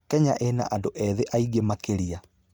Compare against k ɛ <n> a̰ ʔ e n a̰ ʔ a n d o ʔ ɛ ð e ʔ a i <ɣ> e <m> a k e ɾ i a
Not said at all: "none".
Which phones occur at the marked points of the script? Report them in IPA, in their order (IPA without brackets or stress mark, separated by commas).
ɲ, ɣ, m